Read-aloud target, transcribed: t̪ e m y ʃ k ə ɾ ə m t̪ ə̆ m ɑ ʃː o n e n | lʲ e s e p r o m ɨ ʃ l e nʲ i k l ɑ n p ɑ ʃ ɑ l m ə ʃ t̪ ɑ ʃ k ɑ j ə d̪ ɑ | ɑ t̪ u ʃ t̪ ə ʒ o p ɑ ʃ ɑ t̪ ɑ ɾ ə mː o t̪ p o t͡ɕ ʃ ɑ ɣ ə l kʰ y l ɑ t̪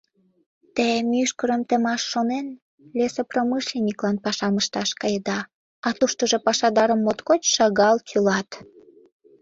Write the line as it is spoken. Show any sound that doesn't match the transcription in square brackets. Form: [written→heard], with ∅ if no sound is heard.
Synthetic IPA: t̪ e m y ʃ k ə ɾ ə m t̪ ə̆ m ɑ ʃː o n e n | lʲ e s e p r o m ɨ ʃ l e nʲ i k l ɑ n p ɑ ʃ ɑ [l→∅] m ə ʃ t̪ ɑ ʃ k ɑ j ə d̪ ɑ | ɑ t̪ u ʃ t̪ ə ʒ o p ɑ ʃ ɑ [t̪→d̪] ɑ ɾ ə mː o t̪ [p→k] o t͡ɕ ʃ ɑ ɣ [ə→ɑ] l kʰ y l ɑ t̪